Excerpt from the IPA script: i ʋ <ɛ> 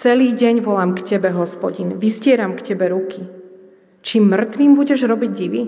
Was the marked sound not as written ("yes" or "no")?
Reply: yes